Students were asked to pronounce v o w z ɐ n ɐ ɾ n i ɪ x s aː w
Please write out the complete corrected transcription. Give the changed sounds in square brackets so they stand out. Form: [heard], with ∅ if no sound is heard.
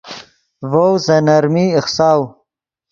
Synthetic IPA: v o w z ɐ n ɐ ɾ [m] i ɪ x s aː w